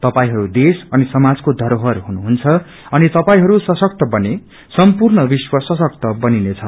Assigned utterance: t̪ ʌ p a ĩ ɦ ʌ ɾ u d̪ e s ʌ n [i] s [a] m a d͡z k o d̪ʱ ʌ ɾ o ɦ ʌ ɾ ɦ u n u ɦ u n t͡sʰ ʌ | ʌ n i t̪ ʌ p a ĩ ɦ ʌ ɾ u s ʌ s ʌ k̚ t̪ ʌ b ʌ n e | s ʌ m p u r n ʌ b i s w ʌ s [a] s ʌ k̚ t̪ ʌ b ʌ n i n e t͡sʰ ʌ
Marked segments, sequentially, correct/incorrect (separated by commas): correct, incorrect, incorrect